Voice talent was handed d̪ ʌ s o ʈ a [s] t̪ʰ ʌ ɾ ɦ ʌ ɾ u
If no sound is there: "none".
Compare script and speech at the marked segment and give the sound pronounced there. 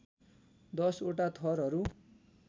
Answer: none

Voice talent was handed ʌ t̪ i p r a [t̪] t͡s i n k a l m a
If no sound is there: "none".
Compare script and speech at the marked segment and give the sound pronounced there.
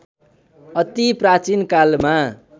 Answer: none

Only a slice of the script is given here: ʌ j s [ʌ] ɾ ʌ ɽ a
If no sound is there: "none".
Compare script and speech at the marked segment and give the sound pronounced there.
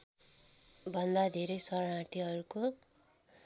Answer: ʌ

